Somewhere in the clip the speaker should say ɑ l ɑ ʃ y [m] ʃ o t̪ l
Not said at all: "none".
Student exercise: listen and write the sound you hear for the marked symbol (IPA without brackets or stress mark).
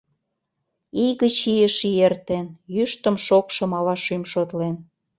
m